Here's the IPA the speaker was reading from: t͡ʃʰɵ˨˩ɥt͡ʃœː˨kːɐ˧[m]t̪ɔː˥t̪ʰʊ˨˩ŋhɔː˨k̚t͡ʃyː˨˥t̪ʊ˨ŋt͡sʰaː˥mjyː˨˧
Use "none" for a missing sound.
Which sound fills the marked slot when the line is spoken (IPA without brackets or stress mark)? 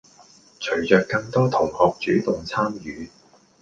ŋ